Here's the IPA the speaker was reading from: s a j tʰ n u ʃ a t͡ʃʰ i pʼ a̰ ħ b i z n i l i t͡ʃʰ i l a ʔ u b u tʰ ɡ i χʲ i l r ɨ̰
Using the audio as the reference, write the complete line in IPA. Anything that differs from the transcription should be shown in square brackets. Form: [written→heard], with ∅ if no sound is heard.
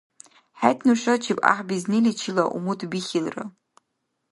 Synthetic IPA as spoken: [s→ħ] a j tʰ n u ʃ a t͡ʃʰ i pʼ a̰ ħ b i z n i l i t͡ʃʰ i l a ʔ u [b→m] u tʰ [ɡ→b] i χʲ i l r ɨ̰

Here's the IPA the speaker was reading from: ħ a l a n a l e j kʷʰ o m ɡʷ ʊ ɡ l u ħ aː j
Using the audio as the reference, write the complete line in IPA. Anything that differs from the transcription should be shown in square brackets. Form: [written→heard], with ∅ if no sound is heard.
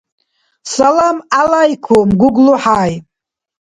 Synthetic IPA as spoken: [ħ→s] a l a [n→m] a l [e→a] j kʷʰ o m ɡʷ ʊ ɡ l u ħ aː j

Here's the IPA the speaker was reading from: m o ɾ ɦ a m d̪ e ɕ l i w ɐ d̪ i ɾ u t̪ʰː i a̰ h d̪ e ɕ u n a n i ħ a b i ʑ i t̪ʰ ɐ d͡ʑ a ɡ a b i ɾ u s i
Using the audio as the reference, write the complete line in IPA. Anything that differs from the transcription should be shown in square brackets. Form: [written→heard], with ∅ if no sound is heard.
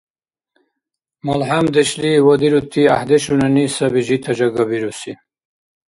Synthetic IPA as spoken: m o [ɾ→l] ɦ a m d̪ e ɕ l i w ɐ d̪ i ɾ u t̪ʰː i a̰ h d̪ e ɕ u n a n i [ħ→s] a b i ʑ i t̪ʰ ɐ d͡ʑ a ɡ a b i ɾ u s i

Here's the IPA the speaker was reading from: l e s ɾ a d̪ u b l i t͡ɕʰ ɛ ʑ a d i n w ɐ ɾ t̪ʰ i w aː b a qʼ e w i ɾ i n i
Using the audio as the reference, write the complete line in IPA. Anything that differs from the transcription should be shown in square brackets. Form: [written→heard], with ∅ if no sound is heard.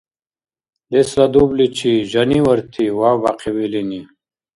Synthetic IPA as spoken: l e s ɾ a d̪ u b l i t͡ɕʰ [ɛ→i] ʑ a [d→n] i [n→∅] w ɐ ɾ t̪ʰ i w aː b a [qʼ→q] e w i [ɾ→l] i n i

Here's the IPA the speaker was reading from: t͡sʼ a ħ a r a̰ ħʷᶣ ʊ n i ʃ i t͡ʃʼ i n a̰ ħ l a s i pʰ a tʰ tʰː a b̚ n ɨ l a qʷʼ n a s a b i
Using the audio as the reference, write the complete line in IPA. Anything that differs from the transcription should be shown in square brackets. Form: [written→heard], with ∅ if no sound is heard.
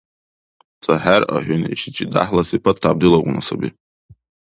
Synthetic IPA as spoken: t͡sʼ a ħ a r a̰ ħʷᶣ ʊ n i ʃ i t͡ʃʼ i [n→d] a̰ ħ l a s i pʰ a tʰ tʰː a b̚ [n→d] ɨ l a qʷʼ n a s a b i

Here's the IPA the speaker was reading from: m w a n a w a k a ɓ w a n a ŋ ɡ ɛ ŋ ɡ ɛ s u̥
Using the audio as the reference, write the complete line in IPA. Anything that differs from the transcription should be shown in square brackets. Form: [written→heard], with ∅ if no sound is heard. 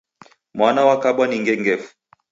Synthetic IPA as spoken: m w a n a w a k a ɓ w a n [a→i] ŋ ɡ ɛ ŋ ɡ ɛ [s→f] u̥

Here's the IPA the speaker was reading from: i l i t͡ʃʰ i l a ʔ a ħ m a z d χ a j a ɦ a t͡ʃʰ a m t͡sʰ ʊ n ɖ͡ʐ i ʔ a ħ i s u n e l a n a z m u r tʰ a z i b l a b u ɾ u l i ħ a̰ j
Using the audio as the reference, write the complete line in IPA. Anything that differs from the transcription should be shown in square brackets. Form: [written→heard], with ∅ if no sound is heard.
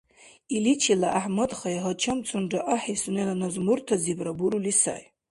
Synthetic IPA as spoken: i l i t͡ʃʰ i l a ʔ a ħ m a [z→∅] d χ a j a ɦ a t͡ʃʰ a m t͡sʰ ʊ n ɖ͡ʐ [i→a] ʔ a ħ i s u n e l a n a z m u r tʰ a z i b [l→r] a b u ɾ u l i [ħ→s] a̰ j

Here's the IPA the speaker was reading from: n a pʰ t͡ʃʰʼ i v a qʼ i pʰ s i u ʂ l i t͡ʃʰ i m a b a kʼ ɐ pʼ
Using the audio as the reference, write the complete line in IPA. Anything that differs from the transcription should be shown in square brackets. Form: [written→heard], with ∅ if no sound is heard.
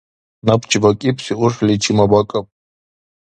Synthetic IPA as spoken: n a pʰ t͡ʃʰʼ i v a [qʼ→kʼ] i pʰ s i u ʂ l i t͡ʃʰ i m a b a kʼ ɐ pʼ

